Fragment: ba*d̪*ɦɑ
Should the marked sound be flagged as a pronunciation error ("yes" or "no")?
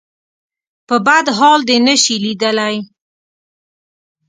no